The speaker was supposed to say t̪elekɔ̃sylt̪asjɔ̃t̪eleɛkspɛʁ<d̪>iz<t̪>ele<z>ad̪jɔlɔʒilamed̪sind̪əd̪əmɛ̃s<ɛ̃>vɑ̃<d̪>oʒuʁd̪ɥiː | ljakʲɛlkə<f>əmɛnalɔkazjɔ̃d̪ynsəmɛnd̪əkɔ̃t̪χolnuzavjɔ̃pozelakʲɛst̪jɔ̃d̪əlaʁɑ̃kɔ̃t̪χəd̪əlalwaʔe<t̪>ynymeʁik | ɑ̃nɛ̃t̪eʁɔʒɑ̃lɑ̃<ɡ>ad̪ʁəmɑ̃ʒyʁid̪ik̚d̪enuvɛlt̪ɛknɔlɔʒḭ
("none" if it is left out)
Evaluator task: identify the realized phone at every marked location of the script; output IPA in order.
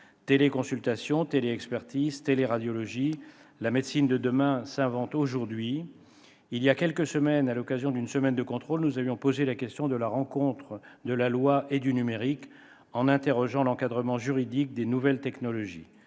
t̪, t̪, ʁ, ɛ̃, t̪, s, d̪, k

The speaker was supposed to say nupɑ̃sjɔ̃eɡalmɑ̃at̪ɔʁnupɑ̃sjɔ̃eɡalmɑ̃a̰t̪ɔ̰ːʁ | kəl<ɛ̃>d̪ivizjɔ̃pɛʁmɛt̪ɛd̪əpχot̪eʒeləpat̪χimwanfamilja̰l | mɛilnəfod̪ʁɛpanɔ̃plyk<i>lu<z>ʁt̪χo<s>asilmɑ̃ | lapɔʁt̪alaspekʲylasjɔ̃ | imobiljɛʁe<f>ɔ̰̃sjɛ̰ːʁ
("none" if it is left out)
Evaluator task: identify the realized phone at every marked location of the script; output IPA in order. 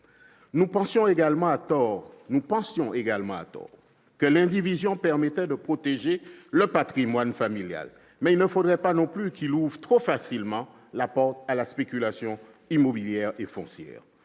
ɛ̃, i, v, f, f

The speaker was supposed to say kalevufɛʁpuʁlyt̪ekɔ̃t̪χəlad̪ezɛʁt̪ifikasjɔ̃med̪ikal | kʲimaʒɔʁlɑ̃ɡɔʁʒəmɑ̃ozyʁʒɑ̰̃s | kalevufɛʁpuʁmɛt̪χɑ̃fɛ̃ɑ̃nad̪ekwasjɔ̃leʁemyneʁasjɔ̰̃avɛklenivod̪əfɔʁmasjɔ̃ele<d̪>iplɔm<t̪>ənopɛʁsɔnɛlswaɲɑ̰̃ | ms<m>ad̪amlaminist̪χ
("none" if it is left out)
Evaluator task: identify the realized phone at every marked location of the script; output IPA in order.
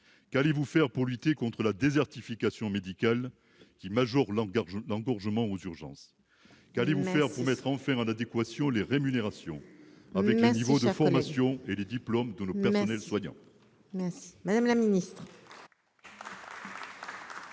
d̪, d̪, m

